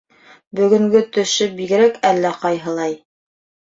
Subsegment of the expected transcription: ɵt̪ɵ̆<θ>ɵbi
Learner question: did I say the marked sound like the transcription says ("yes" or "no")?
no